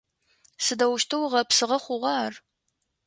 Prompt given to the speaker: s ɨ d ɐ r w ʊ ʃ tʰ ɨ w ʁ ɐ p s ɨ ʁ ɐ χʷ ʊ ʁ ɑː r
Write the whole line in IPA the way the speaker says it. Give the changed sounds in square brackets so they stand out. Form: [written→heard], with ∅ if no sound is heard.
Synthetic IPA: s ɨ d ɐ [r→∅] w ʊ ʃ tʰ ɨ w ʁ ɐ p s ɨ ʁ ɐ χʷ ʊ ʁ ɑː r